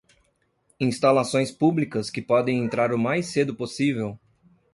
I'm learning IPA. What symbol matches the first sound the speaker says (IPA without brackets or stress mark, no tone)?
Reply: ĩ